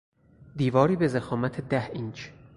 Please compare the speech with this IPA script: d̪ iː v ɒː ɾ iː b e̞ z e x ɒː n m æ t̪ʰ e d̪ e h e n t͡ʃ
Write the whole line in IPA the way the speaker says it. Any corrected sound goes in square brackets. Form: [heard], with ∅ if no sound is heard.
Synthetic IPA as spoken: d̪ iː v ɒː ɾ iː b e̞ z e x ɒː [∅] m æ t̪ʰ e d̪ [æ] h [i] n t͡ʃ